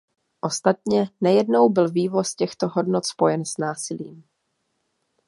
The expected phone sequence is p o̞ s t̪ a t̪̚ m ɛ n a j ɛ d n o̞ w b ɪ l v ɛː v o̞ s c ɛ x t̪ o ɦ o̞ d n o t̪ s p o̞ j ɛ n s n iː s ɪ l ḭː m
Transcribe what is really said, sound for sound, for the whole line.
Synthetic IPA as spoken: ʔ o̞ s t̪ a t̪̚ ɲ ɛ n a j ɛ d n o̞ w b ɪ l v iː v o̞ s c ɛ x t̪ o ɦ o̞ d n o t̪ s p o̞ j ɛ n s n aː s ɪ l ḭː m